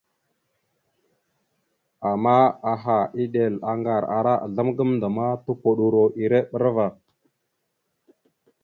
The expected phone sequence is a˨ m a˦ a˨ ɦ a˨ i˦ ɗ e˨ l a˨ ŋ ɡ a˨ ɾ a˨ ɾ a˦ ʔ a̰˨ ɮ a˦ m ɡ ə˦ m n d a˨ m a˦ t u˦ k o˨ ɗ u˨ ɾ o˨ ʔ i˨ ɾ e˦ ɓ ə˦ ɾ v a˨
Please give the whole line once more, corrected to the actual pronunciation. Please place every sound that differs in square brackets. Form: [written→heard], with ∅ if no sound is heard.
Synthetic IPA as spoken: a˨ m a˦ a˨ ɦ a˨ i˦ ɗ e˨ l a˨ ŋ ɡ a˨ ɾ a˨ ɾ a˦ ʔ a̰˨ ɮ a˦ m ɡ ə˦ m n d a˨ m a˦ t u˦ k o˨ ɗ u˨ ɾ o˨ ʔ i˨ ɾ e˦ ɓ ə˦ ɾ v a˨